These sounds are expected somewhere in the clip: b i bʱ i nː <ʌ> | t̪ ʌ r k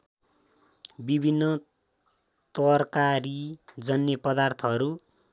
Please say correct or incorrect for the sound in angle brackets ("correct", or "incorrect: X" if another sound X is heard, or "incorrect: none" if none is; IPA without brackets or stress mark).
correct